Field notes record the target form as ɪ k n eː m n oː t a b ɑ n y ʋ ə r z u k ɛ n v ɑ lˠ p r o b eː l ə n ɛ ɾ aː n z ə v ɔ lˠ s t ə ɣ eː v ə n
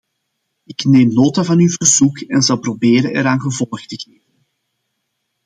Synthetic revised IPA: ɪ k n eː m n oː t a v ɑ n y v ə r z u k ɛ n z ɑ lˠ p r o b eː ɾ ə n ɛ ɾ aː n ɣ ə v ɔ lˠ x t ə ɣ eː v ə n